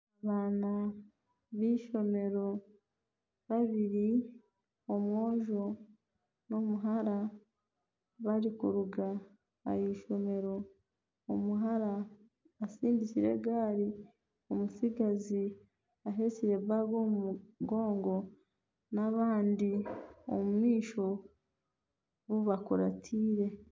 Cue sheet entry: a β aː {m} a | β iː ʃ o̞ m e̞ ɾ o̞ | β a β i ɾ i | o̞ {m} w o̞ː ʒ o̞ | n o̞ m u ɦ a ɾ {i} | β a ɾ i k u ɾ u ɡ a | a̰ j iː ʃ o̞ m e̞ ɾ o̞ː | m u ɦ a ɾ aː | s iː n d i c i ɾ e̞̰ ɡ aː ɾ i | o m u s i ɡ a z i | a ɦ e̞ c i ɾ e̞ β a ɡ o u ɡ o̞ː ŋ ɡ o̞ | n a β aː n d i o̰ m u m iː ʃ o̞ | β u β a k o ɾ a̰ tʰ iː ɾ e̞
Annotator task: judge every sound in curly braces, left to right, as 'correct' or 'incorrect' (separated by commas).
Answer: incorrect, correct, incorrect